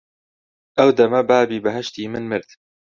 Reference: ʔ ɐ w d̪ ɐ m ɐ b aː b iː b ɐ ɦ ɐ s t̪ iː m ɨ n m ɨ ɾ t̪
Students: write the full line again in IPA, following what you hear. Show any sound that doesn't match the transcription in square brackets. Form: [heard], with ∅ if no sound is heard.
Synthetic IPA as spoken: ʔ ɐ w d̪ ɐ m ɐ b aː b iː b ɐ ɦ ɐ [ʃ] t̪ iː m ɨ n m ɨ ɾ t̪